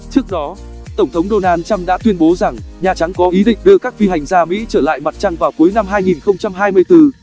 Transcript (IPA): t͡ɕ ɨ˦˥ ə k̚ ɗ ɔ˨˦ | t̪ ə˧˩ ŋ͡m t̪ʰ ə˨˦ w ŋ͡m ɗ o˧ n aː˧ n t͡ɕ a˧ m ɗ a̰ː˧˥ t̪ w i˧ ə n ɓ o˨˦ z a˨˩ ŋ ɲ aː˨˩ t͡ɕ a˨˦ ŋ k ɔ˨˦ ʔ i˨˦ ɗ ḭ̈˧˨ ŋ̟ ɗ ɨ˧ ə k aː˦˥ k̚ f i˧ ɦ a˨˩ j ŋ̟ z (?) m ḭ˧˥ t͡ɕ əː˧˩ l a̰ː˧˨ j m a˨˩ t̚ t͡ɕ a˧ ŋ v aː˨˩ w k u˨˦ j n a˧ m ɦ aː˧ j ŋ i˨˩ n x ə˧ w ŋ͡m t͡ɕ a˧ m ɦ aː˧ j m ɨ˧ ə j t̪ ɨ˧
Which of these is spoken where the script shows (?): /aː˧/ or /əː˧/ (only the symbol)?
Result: aː˧